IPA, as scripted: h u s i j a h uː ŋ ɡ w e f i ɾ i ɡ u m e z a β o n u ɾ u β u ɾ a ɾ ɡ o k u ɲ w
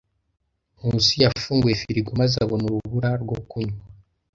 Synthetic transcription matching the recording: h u s i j a f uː ŋ ɡ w e f i ɾ i ɡ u m a z a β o n u ɾ u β u ɾ a ɾ ɡ o k u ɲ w